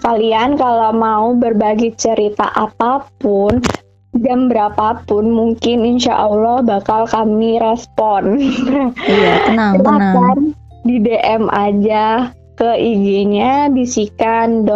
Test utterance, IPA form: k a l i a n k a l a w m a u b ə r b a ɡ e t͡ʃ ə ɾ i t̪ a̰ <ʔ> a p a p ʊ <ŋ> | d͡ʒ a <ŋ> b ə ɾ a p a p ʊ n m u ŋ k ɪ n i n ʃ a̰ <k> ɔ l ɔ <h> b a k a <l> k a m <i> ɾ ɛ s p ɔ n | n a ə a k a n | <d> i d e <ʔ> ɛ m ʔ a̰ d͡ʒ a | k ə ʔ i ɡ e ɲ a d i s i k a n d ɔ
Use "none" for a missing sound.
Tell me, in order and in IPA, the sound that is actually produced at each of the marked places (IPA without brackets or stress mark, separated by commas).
ʔ, n, m, ʔ, h, l, i, d, ʔ